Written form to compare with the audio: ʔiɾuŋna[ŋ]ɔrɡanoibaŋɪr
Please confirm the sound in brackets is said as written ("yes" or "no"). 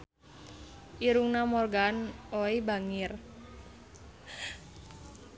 no